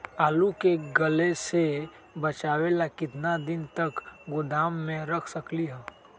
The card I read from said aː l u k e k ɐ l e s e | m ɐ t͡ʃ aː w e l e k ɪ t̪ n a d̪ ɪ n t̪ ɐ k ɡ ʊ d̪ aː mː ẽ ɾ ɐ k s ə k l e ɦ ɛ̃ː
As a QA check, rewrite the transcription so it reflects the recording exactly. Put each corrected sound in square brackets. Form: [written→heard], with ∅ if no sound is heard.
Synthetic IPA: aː l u k e [k→ɡ] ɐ l e s e | [m→b] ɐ t͡ʃ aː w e l [e→a] k ɪ t̪ n a d̪ ɪ n t̪ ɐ k ɡ ʊ d̪ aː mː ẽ ɾ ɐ [k→kʰ] s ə k l [e→i] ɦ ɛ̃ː